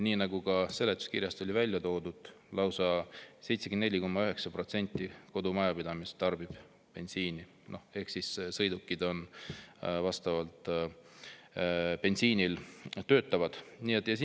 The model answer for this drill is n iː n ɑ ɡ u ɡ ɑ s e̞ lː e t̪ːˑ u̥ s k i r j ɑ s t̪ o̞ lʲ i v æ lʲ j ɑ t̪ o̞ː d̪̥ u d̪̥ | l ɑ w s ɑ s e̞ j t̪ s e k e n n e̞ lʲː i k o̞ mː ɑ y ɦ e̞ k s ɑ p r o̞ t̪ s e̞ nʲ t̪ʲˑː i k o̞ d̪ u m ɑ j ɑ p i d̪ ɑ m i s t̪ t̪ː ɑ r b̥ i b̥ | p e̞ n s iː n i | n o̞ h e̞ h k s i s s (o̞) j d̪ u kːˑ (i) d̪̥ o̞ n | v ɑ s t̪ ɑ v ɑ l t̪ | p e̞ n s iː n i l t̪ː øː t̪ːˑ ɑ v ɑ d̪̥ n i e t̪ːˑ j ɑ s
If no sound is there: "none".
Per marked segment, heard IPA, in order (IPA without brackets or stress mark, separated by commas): ɤ̞, i